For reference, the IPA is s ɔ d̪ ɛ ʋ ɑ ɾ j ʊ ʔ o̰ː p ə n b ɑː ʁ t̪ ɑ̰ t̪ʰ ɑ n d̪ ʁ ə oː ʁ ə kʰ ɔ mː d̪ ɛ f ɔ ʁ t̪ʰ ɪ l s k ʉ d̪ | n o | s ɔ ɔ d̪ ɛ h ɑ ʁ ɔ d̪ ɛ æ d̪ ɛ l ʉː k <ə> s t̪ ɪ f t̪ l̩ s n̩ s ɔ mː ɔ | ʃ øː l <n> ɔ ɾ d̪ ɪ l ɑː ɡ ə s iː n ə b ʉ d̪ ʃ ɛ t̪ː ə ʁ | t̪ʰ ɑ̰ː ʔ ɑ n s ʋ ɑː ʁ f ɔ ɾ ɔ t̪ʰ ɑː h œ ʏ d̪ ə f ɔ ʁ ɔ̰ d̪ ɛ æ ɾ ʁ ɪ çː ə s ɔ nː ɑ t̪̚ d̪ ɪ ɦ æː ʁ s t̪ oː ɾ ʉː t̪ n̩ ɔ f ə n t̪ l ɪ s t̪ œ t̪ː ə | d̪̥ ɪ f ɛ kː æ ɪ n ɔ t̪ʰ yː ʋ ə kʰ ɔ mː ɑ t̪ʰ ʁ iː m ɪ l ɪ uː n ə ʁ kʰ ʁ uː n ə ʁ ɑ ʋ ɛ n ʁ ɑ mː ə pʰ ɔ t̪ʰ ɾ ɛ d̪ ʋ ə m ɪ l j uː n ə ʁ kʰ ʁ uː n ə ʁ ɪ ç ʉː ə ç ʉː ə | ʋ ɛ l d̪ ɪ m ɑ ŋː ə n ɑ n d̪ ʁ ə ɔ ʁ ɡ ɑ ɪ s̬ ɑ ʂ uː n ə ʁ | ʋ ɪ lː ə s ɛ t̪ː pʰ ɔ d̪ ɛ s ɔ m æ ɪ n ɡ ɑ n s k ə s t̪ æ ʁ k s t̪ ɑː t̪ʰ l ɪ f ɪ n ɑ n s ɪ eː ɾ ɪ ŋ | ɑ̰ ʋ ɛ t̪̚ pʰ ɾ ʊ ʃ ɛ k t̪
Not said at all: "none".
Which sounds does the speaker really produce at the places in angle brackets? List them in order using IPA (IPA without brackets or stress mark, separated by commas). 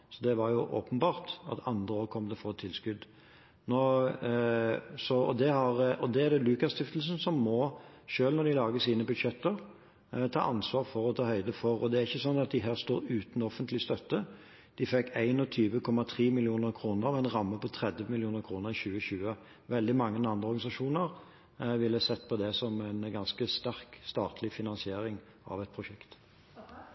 ɑ, n